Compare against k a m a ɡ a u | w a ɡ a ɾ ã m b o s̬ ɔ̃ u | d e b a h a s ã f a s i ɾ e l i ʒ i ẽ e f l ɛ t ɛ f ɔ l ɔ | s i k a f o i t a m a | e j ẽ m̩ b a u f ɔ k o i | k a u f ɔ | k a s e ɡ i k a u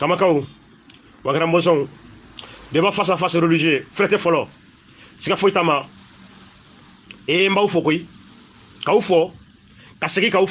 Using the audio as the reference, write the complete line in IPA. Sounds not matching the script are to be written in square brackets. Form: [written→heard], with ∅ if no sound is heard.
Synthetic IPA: k a m a [ɡ→k] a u | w a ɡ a ɾ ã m b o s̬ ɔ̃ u | d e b a [h→f] a s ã f a s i ɾ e l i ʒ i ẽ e f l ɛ t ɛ f ɔ l ɔ | s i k a f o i t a m a | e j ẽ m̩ b a u f ɔ k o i | k a u f ɔ | k a s e ɡ i k a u